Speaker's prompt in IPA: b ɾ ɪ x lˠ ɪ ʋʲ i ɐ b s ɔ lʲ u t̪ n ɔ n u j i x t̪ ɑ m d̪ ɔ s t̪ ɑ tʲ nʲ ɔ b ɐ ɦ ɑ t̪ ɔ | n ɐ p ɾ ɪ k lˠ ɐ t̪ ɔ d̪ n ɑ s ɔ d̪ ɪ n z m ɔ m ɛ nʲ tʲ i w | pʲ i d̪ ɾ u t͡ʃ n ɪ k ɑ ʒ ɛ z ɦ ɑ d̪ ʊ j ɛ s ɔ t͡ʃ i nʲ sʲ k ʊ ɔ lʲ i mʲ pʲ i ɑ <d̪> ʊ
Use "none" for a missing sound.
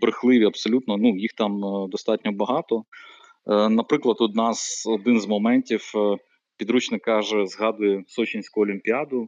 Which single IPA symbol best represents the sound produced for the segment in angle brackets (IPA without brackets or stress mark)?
d̪